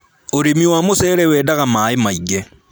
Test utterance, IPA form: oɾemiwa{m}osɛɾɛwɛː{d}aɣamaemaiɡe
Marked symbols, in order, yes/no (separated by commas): yes, yes